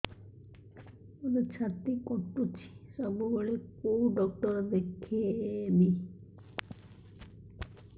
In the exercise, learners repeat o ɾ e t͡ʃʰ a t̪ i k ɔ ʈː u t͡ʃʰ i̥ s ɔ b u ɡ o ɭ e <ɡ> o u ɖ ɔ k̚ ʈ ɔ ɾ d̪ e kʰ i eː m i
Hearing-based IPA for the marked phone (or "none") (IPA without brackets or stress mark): k